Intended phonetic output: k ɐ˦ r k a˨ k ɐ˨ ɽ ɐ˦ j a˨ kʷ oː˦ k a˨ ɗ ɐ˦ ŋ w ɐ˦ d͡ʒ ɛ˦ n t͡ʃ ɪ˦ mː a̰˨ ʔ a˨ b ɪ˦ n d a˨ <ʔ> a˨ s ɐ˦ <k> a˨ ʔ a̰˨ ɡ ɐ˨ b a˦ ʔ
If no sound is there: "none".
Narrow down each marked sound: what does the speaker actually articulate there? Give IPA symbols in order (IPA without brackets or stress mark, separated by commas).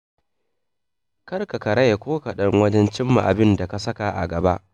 k, k